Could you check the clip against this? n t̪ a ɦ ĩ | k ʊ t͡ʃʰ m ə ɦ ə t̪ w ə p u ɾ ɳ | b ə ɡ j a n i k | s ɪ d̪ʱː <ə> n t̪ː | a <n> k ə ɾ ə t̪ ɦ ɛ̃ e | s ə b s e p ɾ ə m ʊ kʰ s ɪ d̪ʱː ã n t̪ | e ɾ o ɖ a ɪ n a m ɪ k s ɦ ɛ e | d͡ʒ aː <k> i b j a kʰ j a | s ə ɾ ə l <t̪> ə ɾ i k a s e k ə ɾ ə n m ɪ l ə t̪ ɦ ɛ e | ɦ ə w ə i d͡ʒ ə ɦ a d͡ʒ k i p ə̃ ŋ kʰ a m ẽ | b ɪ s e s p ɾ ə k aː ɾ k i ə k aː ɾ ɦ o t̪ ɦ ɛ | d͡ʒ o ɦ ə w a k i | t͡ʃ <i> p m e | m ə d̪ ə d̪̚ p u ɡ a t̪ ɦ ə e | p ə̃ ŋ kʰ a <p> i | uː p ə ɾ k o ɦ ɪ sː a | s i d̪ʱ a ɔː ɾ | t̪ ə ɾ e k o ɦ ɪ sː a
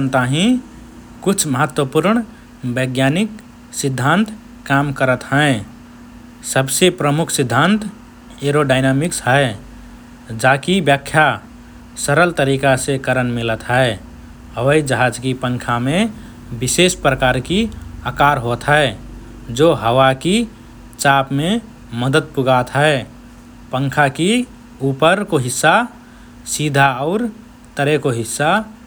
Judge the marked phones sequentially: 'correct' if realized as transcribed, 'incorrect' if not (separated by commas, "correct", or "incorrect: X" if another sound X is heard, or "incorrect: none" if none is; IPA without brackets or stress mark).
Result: incorrect: a, incorrect: m, correct, correct, incorrect: a, incorrect: k